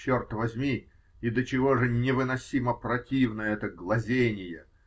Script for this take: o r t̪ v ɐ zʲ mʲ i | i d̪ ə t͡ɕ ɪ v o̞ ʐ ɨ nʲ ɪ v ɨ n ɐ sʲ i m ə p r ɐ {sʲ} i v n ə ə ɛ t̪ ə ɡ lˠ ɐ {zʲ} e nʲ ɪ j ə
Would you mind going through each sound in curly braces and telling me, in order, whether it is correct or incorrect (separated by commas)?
incorrect, correct